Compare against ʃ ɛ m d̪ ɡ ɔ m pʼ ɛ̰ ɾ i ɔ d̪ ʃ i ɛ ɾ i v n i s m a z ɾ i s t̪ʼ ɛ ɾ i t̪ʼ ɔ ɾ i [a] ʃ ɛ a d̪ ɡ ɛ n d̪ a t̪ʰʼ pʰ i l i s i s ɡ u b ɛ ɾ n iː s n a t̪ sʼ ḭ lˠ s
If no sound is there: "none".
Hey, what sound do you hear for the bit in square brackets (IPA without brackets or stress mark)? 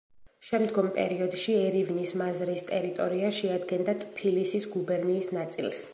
a